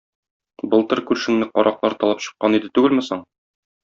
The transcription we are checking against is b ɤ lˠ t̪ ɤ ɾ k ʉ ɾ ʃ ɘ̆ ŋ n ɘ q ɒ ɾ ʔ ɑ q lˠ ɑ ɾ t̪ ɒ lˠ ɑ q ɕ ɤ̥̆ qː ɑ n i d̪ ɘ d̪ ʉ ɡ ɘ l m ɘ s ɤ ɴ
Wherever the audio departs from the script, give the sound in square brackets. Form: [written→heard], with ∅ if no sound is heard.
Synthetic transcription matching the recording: b ɤ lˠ t̪ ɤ ɾ k ʉ ɾ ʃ ɘ̆ ŋ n ɘ q ɒ ɾ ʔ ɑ q lˠ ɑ ɾ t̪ ɒ lˠ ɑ [q→p] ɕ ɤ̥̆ qː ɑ n i d̪ ɘ [d̪→t̪] ʉ ɡ ɘ l m ɘ s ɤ ɴ